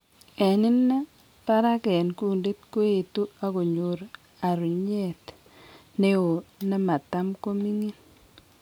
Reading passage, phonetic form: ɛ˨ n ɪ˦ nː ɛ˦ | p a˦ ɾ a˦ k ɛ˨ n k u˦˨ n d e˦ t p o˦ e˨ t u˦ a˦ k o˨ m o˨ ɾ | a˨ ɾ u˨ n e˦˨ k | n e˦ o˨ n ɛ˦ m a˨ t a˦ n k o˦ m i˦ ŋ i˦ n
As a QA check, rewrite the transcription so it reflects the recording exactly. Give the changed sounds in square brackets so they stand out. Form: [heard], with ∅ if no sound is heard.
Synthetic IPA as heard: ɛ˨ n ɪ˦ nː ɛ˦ | p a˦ ɾ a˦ k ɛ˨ n k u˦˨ n d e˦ t [k] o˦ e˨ t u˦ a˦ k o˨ [ɲ] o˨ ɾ | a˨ ɾ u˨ [ɲ] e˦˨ [t] | n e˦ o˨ n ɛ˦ m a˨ t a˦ [m] k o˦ m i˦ ŋ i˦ n